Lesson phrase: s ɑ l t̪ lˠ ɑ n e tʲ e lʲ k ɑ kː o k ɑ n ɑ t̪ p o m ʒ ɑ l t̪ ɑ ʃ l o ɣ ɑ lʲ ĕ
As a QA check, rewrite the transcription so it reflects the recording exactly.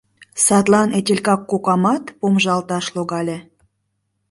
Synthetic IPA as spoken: s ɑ t̪ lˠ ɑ n e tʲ e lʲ k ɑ kː o k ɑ m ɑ t̪ p o m ʒ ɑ l t̪ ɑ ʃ l o ɣ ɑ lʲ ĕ